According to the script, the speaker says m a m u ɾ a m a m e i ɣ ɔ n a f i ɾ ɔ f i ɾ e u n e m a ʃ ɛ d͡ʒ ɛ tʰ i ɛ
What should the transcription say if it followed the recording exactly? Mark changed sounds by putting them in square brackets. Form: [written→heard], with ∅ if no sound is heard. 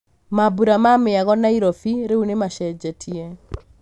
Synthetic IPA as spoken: m a [m→b] u ɾ a m a m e [i→a] ɣ ɔ n a [f→∅] i ɾ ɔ f i ɾ e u n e m a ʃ ɛ d͡ʒ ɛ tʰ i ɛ